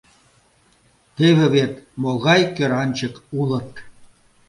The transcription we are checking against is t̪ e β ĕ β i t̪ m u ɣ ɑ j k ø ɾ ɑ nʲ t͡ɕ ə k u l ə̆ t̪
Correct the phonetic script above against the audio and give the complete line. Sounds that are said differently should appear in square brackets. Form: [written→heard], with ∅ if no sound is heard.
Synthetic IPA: t̪ e β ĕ β [i→e] t̪ m [u→o] ɣ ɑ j k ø ɾ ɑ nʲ t͡ɕ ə k u l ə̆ t̪